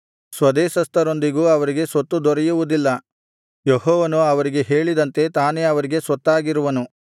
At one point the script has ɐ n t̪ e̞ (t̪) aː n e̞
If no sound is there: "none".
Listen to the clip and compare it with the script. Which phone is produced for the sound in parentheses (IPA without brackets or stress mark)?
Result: t̪